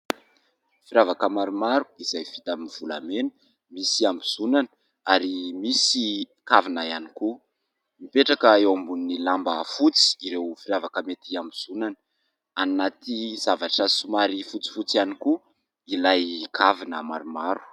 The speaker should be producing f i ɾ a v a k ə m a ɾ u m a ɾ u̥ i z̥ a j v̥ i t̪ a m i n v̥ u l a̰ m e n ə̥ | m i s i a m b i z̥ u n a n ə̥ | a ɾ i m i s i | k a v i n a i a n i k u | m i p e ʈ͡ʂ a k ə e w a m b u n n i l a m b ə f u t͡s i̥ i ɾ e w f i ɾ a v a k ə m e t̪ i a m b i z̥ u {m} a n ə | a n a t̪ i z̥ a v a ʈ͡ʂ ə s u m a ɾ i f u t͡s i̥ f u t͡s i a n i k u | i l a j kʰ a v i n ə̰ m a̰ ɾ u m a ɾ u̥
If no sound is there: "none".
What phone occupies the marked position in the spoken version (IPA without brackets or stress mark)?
n